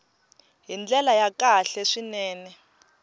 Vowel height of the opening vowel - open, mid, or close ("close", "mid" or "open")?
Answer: close